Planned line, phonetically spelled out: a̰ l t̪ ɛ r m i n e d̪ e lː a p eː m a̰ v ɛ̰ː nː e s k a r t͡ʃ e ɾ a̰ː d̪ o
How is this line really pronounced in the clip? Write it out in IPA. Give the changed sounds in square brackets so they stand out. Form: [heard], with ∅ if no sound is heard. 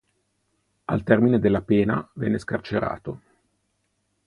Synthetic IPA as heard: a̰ l t̪ ɛ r m i n e d̪ e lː a p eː [n] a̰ v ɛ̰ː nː e s k a r t͡ʃ e ɾ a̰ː [t̪] o